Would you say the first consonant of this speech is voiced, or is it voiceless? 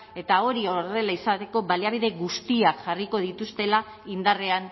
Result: voiceless